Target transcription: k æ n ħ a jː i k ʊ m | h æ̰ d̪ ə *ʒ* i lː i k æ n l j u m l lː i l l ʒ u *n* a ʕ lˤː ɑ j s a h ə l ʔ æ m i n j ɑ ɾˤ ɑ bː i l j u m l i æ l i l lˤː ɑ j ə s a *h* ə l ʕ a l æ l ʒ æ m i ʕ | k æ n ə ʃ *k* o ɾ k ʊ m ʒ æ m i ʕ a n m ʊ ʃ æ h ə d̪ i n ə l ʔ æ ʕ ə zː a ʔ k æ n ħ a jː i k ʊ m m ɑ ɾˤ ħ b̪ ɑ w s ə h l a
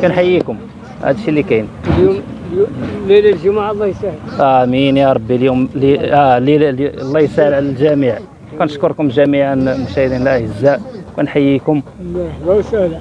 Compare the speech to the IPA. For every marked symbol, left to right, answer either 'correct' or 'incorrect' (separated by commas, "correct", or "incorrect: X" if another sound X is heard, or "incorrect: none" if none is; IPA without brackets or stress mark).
incorrect: ʃ, incorrect: m, correct, correct